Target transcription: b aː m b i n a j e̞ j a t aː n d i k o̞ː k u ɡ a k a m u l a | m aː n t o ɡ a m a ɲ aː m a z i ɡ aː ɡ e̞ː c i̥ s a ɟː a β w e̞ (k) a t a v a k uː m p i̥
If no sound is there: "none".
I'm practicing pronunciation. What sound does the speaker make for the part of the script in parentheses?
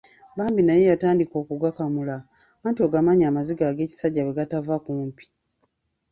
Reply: ɡ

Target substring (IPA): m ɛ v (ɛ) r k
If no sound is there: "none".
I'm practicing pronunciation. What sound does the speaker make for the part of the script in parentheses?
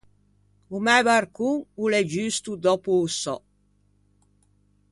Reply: a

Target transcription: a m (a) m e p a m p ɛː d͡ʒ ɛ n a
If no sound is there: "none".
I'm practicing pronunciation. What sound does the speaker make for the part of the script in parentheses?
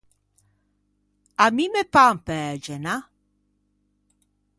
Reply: i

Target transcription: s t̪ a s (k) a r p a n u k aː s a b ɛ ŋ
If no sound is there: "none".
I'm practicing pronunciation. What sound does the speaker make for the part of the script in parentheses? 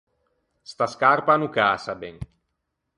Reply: k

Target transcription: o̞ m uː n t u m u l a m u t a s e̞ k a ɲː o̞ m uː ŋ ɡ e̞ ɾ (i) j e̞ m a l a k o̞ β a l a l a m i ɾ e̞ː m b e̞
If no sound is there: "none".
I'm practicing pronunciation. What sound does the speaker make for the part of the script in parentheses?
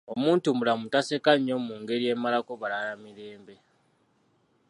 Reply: i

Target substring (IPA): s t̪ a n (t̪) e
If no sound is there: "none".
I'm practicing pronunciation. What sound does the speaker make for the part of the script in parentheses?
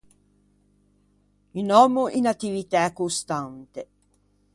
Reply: t̪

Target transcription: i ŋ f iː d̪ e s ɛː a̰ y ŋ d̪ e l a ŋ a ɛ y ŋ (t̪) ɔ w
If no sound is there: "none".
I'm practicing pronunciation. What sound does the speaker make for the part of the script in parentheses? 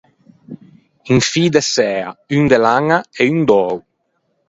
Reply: d̪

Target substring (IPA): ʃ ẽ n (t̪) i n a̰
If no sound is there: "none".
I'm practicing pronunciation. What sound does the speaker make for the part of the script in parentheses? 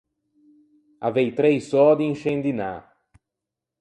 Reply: d̪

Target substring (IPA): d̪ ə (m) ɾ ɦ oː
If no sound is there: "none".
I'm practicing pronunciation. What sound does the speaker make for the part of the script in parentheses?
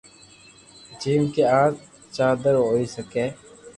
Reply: none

